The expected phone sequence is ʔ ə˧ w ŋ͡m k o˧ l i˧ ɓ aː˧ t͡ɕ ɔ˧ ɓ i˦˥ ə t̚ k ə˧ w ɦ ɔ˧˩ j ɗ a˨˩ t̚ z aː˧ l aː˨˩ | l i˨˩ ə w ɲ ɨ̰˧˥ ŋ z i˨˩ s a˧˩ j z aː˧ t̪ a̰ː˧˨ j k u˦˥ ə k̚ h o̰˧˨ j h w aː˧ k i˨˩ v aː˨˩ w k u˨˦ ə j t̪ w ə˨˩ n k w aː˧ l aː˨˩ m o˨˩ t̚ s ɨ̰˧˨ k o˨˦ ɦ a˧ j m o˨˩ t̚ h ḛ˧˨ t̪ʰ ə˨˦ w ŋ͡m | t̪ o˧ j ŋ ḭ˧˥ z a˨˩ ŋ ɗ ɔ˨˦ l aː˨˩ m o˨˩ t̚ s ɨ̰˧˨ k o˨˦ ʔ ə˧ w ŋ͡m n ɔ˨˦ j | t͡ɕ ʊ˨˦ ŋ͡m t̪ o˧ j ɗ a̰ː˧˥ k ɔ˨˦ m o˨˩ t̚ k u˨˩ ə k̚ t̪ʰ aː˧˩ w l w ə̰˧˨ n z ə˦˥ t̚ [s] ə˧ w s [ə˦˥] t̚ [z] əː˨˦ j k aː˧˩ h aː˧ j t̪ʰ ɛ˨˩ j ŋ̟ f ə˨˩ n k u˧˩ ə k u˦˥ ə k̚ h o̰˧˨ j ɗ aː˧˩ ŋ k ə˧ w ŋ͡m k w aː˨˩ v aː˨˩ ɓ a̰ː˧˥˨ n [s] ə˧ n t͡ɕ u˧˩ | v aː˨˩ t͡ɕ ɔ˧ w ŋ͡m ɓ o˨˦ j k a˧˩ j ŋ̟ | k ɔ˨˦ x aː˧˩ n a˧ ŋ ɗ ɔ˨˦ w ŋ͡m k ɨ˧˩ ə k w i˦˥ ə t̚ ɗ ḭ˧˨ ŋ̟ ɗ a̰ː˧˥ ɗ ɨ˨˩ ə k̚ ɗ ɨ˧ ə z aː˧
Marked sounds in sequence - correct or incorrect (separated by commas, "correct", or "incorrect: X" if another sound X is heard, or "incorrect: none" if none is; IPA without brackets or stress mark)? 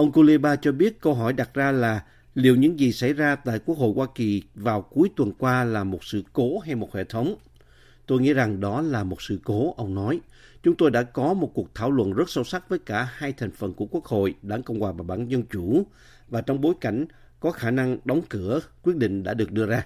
correct, incorrect: a˦˥, incorrect: v, incorrect: z